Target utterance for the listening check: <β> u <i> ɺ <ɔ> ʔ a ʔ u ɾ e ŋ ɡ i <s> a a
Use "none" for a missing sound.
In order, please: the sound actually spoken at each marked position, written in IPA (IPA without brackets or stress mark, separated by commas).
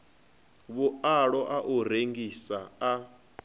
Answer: β, a, ɔ, s